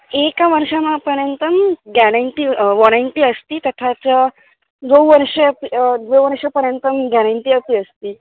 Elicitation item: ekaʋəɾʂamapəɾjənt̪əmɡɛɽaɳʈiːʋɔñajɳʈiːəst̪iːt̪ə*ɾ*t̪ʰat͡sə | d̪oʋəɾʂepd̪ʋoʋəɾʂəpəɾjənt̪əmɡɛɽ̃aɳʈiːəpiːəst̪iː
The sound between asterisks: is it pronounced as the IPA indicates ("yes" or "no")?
no